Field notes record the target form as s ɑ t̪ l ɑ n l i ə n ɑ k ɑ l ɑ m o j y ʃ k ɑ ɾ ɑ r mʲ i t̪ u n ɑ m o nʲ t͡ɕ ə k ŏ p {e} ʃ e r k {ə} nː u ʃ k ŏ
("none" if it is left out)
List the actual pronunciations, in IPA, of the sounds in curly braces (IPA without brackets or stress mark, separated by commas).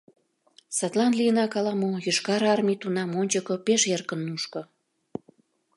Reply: e, ə